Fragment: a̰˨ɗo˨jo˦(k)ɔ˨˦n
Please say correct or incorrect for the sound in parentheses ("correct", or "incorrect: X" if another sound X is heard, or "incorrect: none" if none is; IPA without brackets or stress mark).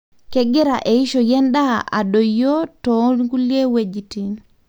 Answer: incorrect: t